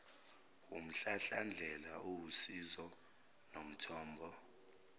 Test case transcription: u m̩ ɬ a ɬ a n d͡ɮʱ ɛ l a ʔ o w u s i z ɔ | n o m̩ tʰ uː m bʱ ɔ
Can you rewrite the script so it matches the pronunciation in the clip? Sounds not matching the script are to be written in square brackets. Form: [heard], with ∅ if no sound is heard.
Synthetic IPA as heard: u m̩ ɬ a ɬ a n d͡ɮʱ ɛ l a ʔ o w u s i z ɔ | n o m̩ tʰ [ɔː] m bʱ ɔ